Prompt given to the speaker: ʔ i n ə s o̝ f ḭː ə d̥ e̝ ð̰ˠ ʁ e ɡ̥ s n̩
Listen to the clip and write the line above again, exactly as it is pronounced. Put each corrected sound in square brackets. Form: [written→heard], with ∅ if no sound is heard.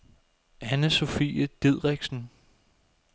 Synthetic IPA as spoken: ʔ [i→æ] n ə s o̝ f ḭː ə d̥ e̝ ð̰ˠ ʁ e ɡ̥ s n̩